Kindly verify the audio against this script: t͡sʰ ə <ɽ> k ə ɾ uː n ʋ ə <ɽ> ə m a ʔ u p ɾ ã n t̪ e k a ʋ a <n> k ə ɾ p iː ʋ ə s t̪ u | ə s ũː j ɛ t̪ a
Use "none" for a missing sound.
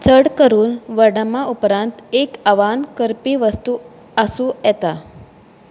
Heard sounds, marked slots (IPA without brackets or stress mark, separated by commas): ɽ, ɽ, n